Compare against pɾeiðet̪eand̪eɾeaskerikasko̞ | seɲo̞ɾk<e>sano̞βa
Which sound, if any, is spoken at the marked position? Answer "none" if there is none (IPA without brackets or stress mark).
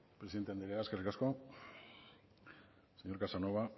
a